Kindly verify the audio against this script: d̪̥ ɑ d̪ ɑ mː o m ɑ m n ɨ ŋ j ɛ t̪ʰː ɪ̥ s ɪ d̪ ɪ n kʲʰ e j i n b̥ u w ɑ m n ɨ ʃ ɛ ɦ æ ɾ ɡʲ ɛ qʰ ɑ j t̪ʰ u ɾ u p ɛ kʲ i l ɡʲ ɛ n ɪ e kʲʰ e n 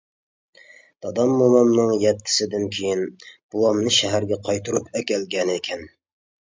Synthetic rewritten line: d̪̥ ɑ d̪ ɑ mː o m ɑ m n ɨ ŋ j ɛ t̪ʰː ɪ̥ s ɪ d̪ ɪ n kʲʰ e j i n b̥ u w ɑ m n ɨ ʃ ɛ ɦ æ ɾ ɡʲ ɛ qʰ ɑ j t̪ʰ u ɾ u p ɛ kʲ ɛ l ɡʲ ɛ n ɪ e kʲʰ ɛ n